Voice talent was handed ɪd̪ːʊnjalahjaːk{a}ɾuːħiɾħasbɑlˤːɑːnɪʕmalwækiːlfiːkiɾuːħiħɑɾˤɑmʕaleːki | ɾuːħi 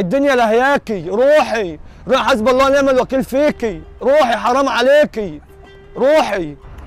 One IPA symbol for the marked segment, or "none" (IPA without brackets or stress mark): i